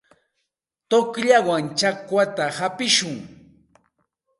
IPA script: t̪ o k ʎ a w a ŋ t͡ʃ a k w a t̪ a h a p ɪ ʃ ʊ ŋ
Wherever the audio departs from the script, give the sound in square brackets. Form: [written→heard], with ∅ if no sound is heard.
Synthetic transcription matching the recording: t̪ o k ʎ a w a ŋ t͡ʃ a k w a t̪ a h a p ɪ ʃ ʊ ŋ